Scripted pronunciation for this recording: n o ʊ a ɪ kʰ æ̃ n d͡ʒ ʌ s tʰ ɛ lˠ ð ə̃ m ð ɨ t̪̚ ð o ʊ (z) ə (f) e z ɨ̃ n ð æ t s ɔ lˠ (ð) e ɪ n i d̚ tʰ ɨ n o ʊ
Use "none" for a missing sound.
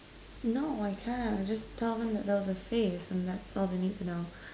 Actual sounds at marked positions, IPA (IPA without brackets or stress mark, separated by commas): z, f, ð